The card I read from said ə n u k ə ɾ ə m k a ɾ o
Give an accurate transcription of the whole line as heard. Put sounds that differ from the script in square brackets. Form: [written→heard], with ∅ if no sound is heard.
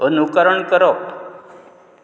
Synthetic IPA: ə n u k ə ɾ ə [m→ɳ] k [a→ə] ɾ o